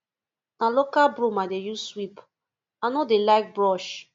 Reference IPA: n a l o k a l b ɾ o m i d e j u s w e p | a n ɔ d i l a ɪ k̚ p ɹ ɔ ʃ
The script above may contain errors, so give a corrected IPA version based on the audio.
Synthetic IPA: n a l o k a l b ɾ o m a d e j u s w i p | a n ɔ d e l a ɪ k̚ b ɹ ɔ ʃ